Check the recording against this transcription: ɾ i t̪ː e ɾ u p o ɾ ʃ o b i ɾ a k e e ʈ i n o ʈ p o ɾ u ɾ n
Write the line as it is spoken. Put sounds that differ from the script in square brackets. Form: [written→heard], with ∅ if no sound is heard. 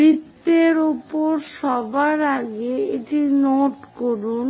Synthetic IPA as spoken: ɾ i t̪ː e ɾ u p o ɾ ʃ [o→ɔ] b [i→a] ɾ a [k→ɡ] e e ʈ i n o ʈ [p→k] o ɾ u [ɾ→∅] n